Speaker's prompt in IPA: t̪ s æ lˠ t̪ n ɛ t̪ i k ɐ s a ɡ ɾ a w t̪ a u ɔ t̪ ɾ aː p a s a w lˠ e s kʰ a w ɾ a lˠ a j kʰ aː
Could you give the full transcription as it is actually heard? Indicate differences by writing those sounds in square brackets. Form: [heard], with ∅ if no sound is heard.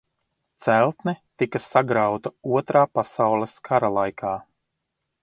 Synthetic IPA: t̪ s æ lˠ t̪ n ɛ t̪ i k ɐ s a ɡ ɾ a w t̪ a u ɔ t̪ ɾ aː p a s a w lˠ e s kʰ a [∅] ɾ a lˠ a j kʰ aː